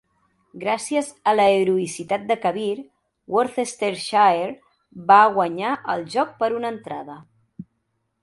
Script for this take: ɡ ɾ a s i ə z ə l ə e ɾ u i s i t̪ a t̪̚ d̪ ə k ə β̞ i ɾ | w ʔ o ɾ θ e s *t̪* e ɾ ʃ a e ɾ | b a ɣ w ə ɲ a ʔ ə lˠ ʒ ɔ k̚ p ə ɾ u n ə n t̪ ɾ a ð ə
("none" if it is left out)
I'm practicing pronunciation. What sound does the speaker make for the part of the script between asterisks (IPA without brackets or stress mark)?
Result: t̪